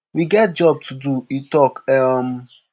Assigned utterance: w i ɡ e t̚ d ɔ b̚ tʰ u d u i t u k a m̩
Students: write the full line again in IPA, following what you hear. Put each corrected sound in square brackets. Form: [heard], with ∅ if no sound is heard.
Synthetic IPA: w i ɡ [ɛ] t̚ [d͡ʒ] ɔ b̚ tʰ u d u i t [ɔ] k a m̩